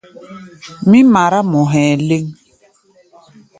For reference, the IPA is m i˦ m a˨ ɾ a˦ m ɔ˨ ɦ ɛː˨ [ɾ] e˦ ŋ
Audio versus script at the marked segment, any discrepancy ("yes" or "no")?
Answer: yes